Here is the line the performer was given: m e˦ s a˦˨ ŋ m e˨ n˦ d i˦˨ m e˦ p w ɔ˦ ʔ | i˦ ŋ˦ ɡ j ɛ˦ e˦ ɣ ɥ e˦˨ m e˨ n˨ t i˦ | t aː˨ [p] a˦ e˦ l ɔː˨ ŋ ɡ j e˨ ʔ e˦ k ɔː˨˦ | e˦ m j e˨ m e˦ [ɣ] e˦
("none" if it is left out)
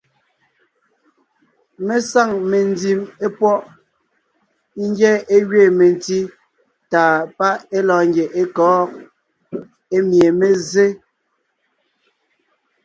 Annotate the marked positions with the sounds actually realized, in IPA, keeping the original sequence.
p, z

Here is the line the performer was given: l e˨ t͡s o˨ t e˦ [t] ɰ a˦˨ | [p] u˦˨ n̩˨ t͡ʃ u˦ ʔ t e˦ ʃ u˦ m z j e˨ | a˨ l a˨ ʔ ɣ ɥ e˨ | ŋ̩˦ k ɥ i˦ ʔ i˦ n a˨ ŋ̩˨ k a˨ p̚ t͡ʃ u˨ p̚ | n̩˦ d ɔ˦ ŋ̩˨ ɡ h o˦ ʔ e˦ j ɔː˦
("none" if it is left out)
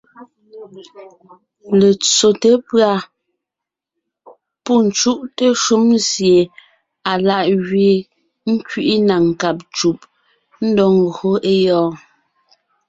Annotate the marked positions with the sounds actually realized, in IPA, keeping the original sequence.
p, p

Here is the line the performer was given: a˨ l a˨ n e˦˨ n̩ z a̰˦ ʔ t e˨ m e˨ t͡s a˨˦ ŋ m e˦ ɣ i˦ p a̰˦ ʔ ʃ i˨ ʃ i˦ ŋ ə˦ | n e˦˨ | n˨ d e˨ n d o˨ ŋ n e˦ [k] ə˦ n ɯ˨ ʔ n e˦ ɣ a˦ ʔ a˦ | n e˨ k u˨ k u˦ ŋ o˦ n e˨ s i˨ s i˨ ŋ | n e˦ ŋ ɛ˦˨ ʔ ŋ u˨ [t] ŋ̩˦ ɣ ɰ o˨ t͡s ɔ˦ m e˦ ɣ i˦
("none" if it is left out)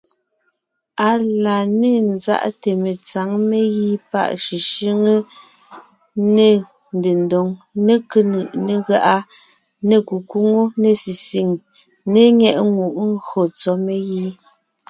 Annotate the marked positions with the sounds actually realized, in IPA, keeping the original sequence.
k, ʔ

